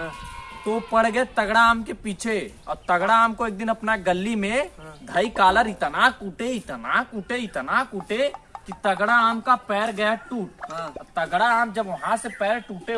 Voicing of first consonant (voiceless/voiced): voiceless